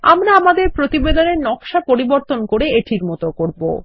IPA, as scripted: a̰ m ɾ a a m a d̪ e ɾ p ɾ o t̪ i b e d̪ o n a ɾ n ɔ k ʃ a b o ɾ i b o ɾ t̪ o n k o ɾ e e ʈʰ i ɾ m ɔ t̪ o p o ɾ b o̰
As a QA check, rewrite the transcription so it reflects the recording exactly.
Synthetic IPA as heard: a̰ m ɾ a a m a d̪ e ɾ p ɾ o t̪ i b e d̪ o n e ɾ n ɔ k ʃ a p o ɾ i b o ɾ t̪ o n k o ɾ e e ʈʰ i ɾ m ɔ t̪ o k o ɾ b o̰